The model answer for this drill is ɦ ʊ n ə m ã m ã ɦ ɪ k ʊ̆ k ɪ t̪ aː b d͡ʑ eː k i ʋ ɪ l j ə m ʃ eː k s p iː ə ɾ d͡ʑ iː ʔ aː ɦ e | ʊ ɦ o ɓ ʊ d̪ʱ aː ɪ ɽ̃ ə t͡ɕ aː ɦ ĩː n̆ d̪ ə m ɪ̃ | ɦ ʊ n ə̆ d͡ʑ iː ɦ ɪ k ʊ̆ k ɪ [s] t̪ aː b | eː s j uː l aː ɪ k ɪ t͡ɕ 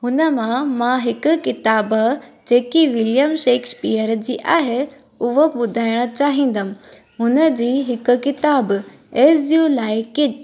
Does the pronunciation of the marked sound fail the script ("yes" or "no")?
yes